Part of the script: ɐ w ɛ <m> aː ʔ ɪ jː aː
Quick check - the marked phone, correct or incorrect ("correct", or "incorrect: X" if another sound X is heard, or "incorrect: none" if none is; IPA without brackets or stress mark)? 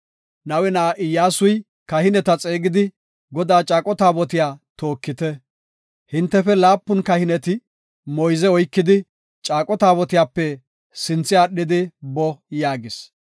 incorrect: n